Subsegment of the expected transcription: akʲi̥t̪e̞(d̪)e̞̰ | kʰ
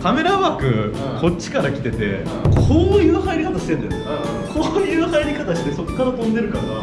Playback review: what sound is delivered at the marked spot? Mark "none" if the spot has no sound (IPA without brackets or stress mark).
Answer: t̪